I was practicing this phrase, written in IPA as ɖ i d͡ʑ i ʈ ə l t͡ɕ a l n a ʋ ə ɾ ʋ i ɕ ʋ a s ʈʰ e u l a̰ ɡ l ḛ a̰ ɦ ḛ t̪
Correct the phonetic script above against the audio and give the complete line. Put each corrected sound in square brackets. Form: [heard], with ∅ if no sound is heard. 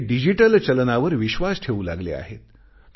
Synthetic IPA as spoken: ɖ i d͡ʑ i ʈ ə l t͡ɕ [ə] l n a ʋ ə ɾ ʋ i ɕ ʋ a s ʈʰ e u l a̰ ɡ l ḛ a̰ ɦ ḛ t̪

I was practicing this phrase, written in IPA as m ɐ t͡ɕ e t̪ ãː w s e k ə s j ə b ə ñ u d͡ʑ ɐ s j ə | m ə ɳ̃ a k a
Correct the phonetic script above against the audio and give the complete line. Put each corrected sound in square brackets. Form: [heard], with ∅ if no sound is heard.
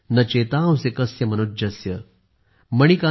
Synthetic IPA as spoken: [n] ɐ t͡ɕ e t̪ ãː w s e k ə s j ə [m] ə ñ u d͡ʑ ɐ s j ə | m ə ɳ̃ [i] k a

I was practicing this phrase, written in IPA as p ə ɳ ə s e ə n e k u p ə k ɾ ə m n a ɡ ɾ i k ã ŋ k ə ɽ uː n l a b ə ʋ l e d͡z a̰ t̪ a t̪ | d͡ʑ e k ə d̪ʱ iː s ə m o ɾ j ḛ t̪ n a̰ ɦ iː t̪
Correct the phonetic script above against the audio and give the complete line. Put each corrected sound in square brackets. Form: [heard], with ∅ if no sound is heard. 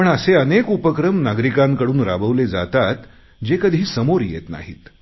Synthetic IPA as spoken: p ə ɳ ə s e ə n e k u p ə k ɾ ə m n a ɡ ɾ i k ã ŋ k ə ɽ uː n [ɾ] a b ə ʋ l e d͡z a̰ t̪ a t̪ | d͡ʑ e k ə d̪ʱ iː s ə m o ɾ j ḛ t̪ n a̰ ɦ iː t̪

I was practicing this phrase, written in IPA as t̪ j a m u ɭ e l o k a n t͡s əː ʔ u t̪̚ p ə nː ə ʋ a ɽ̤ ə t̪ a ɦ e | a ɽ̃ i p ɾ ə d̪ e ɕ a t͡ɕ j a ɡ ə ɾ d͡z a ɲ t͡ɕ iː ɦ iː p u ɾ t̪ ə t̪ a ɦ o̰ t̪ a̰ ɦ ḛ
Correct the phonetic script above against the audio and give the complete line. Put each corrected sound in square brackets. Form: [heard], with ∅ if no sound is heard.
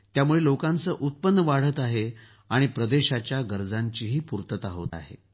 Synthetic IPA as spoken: t̪ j a m u ɭ e l o k a n t͡s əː ʔ u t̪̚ p ə nː ə ʋ a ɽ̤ ə t̪ a ɦ e | a ɽ̃ i p ɾ ə d̪ e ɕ a t͡ɕ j a ɡ ə ɾ d͡z a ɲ t͡ɕ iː ɦ iː p u ɾ t̪ ə t̪ a ɦ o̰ t̪ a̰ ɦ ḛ

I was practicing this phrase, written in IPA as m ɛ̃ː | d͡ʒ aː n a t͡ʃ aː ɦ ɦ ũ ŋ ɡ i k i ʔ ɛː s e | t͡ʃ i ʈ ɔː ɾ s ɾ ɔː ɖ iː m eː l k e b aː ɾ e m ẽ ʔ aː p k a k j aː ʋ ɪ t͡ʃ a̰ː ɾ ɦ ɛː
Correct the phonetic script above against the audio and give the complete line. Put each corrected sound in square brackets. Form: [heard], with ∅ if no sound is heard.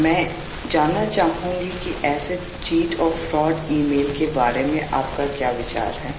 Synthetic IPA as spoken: m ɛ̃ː | d͡ʒ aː n a t͡ʃ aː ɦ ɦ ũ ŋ ɡ i k i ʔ ɛː s e | t͡ʃ [iː] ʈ ɔː ɾ [f] ɾ ɔː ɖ iː m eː l k e b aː ɾ e m ẽ ʔ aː p k a k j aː ʋ ɪ t͡ʃ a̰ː ɾ ɦ ɛː

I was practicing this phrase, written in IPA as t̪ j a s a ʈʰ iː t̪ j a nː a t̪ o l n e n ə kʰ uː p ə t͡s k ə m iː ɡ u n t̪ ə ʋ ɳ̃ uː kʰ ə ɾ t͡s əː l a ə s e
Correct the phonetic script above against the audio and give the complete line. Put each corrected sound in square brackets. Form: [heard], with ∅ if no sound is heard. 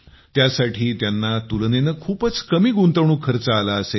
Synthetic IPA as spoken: t̪ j a s a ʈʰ iː t̪ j a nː a t̪ [u] l n e n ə kʰ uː p ə t͡s k ə m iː ɡ u n t̪ ə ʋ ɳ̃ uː kʰ ə ɾ t͡s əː l a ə s e

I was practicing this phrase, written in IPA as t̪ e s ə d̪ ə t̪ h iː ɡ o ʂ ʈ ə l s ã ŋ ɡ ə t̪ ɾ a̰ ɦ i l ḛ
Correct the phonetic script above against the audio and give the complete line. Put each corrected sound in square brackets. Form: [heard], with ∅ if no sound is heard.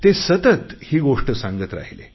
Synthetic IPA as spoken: t̪ e s ə [t̪] ə t̪ h iː ɡ o ʂ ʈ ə [∅] s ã ŋ ɡ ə t̪ ɾ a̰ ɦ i l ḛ

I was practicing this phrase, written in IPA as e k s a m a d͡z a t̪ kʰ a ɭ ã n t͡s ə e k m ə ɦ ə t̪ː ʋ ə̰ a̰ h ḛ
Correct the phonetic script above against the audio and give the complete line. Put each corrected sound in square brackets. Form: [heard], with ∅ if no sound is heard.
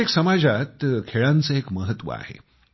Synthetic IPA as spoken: e k s [ə] m a d͡z a t̪ kʰ [e] ɭ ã n t͡s ə e k m ə ɦ ə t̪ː ʋ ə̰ a̰ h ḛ

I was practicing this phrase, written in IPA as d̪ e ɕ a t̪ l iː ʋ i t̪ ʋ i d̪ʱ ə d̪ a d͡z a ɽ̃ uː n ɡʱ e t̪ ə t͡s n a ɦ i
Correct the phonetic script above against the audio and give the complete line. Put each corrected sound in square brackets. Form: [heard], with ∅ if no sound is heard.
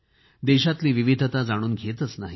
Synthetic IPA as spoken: d̪ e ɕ a t̪ l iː ʋ i [∅] ʋ i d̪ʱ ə [t̪] a d͡z a ɽ̃ uː n ɡʱ e t̪ ə t͡s n a ɦ i

